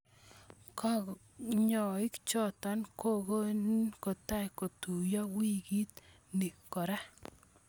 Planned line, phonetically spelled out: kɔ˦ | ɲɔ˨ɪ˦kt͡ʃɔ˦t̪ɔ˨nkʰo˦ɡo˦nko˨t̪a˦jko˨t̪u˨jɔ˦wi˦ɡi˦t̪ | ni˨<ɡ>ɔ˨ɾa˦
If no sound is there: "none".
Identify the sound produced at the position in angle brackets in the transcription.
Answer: k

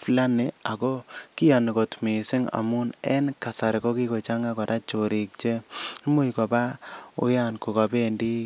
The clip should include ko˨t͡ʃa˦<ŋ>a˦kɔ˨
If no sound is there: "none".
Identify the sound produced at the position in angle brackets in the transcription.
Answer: ŋ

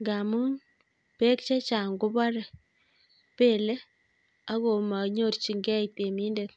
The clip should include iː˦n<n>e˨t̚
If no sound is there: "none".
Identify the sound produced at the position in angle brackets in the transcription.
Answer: d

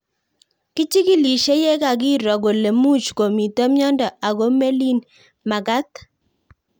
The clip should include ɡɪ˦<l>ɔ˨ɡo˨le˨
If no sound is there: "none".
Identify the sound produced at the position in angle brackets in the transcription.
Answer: ɾ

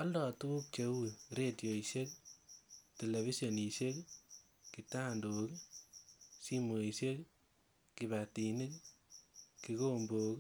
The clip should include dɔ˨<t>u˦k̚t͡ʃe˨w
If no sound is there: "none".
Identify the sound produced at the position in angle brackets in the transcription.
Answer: t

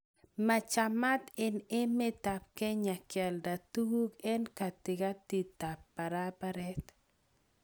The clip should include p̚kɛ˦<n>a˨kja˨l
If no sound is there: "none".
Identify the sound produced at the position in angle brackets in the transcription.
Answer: ɲ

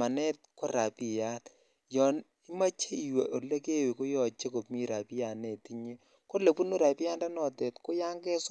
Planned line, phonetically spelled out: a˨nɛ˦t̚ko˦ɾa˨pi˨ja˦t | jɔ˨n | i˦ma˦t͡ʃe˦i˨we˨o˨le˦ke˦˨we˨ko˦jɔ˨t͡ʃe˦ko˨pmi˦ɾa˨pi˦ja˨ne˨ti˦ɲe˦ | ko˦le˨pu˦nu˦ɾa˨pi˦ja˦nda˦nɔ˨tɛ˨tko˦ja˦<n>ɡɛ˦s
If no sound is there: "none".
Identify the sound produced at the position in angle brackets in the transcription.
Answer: ŋ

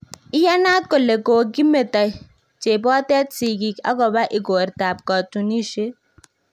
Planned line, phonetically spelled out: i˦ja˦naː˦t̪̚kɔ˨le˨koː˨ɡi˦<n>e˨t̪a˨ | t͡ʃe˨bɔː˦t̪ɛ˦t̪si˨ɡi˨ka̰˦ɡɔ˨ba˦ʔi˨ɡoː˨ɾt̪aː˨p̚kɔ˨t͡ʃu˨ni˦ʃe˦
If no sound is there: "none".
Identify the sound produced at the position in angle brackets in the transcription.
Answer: m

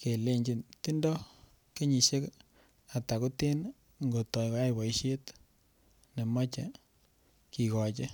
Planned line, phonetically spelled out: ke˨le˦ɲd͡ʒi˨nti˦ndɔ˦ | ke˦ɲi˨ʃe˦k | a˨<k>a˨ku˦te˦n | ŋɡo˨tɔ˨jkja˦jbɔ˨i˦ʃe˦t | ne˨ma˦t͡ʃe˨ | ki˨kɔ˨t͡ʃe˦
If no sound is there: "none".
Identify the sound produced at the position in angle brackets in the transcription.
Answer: t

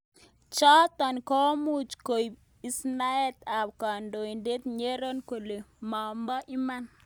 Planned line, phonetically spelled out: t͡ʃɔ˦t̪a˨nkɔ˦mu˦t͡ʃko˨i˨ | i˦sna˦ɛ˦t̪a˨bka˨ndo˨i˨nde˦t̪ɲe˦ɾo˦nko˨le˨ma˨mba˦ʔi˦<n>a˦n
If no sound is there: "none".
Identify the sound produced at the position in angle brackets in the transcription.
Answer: m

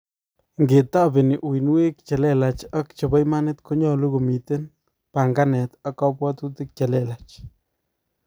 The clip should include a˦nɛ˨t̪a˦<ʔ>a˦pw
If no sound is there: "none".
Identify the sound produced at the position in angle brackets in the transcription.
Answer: k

